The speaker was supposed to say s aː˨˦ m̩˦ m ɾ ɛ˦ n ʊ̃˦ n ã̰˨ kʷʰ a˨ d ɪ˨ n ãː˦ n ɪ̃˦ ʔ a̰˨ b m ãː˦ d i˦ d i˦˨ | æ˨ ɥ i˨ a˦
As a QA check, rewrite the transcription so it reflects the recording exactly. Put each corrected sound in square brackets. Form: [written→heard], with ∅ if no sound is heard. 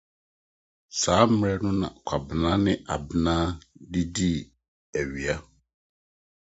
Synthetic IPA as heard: s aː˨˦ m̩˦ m ɾ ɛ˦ n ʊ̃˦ n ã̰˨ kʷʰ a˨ [d→b] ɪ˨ n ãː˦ n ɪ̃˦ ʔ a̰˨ b [m→n] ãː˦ d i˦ d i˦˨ | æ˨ ɥ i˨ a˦